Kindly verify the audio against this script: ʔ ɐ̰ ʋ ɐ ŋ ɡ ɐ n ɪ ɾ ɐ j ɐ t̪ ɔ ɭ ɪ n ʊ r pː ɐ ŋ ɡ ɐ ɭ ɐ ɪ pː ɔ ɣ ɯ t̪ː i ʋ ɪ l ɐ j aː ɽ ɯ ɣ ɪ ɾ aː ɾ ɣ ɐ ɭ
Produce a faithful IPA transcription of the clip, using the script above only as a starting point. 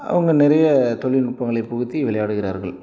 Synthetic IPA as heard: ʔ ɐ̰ ʋ ɐ ŋ ɡ ɐ n ɪ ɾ ɐ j ɐ t̪ ɔ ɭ ɪ n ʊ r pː ɐ ŋ ɡ ɐ ɭ ɐ ɪ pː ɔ ɣ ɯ t̪ː i ʋ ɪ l ɐ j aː ɽ ɯ ɣ ɪ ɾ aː ɾ ɣ ɐ ɭ